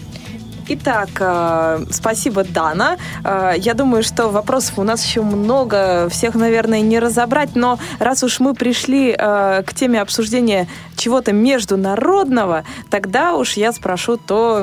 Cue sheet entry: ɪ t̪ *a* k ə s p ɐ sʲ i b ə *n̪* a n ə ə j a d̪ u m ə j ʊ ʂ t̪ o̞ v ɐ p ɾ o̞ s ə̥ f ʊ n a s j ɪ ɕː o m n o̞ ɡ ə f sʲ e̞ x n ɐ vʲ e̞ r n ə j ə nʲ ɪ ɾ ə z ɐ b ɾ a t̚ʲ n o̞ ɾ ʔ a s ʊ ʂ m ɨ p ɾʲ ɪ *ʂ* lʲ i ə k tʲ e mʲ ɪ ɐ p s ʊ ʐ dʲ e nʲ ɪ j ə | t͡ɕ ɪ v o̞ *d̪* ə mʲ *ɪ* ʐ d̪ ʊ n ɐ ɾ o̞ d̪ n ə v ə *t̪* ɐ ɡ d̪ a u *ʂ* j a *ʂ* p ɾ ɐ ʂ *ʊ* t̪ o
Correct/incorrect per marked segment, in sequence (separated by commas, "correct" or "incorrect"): correct, incorrect, correct, incorrect, correct, correct, correct, incorrect, incorrect